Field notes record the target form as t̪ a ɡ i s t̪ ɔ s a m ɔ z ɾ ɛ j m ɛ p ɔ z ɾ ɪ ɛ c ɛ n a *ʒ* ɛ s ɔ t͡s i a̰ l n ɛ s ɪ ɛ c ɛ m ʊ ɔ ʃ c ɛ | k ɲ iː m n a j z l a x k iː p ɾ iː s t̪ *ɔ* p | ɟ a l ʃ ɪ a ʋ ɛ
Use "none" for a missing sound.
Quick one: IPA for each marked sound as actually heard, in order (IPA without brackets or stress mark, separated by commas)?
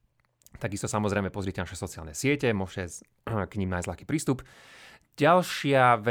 ʃ, u